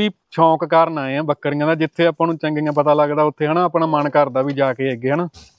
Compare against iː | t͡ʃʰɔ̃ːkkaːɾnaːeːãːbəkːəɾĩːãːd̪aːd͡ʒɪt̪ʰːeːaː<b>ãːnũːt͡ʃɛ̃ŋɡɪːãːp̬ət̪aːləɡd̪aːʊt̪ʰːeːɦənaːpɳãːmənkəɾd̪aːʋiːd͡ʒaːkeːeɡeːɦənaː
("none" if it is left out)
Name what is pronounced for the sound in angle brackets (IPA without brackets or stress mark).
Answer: p